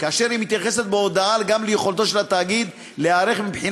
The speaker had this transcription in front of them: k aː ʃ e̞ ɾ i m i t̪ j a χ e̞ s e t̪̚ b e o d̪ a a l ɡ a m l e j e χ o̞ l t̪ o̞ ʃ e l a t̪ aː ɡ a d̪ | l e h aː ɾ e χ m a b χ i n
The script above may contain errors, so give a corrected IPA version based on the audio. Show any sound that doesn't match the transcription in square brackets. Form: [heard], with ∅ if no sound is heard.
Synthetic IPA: k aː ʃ e̞ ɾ i m i t̪ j a χ e̞ s e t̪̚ b e o d̪ a a l ɡ a m l e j e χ o̞ l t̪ o̞ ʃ e l a t̪ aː ɡ [i] d̪ | l e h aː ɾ e χ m [i] b [ħ] i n